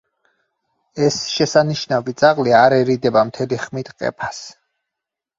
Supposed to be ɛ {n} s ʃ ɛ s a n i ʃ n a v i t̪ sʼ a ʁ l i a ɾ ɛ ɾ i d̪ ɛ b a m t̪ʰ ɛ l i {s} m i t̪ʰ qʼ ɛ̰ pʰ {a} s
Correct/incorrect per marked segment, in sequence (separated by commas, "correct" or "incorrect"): incorrect, incorrect, correct